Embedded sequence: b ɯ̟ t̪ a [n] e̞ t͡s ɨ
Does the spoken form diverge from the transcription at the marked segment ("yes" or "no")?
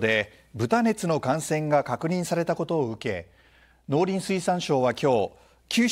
no